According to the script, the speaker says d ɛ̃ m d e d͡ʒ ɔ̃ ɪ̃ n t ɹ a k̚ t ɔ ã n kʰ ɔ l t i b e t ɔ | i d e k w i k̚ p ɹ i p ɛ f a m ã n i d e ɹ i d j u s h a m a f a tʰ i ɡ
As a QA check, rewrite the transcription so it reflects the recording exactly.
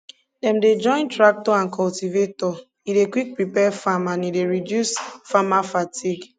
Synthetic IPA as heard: d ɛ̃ m d e d͡ʒ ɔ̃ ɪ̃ n t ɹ a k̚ t ɔ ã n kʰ ɔ l t i v e t ɔ | i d e k w i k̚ p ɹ i p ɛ f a m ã n i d e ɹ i d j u s f a m a f a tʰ i ɡ